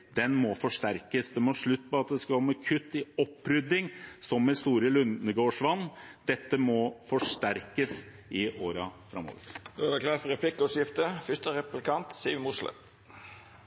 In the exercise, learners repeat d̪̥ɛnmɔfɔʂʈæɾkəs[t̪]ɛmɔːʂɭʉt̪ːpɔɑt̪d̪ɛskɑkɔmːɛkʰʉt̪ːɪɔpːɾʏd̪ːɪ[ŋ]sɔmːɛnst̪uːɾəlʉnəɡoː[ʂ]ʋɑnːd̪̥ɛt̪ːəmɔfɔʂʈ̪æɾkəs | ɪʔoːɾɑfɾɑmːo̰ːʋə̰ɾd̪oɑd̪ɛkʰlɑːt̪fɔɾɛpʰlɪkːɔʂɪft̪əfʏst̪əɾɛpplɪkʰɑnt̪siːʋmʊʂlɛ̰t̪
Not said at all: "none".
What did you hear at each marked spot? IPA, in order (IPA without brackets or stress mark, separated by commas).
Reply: d̪, ŋ, ʂ